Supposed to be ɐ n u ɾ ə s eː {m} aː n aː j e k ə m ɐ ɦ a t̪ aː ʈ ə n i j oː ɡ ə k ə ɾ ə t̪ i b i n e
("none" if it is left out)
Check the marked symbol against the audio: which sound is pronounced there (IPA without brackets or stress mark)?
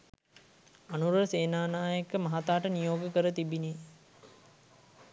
n